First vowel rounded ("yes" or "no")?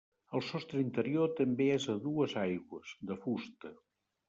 no